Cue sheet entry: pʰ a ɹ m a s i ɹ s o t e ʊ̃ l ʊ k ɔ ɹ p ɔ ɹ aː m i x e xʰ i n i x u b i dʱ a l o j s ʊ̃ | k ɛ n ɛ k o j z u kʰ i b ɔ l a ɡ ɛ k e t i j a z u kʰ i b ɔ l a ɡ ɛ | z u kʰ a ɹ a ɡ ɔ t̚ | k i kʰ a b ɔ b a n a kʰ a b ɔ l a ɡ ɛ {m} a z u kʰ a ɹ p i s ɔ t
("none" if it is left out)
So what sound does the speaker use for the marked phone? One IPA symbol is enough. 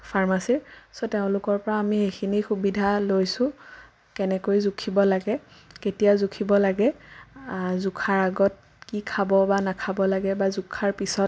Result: b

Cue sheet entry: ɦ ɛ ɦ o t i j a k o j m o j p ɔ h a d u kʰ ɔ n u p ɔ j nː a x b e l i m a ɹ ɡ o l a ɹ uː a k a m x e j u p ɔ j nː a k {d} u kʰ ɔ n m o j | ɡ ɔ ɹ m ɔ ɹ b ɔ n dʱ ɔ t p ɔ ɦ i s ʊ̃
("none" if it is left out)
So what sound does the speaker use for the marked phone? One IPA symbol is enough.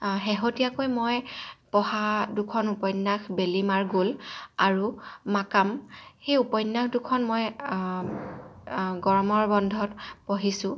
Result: d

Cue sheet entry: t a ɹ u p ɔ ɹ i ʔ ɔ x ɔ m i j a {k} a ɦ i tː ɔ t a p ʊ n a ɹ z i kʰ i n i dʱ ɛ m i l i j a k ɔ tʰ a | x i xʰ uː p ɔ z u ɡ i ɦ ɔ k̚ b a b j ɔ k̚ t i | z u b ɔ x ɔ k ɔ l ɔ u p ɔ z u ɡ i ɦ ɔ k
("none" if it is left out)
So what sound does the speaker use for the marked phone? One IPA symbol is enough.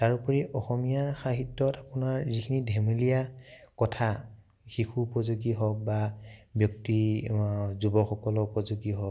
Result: x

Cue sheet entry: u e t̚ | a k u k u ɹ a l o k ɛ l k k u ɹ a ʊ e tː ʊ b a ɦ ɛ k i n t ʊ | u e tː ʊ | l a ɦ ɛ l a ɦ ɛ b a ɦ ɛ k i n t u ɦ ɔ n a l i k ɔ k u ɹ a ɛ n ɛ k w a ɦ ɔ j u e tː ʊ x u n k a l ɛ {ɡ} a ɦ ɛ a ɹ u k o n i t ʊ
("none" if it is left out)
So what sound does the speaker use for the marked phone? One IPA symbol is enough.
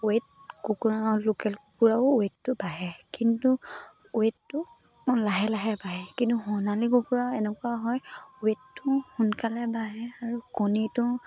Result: b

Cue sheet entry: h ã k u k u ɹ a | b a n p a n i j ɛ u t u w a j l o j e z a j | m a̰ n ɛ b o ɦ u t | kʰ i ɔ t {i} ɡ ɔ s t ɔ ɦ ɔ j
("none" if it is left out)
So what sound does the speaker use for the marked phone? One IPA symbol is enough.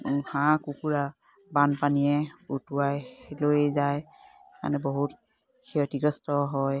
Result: i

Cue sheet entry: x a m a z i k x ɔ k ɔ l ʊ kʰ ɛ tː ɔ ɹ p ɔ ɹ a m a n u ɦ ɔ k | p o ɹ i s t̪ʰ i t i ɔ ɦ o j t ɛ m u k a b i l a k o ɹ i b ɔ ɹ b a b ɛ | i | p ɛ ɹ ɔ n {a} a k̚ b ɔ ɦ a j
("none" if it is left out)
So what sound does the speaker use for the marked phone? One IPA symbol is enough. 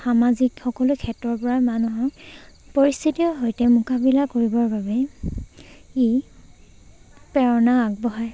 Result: a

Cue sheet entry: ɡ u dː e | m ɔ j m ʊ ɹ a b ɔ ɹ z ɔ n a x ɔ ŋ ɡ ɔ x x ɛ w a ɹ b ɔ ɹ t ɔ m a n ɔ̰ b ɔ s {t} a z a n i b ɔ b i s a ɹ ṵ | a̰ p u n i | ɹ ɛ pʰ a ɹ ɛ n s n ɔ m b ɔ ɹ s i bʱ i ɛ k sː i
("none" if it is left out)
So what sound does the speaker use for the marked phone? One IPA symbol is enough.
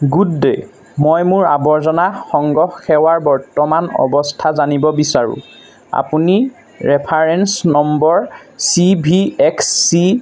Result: tʰ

